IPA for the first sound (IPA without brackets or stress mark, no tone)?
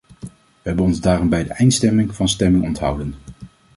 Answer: ʋ